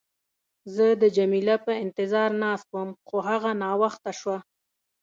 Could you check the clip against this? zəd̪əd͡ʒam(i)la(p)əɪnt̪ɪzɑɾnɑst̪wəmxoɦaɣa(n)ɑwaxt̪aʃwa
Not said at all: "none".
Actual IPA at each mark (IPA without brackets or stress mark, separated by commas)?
i, p, n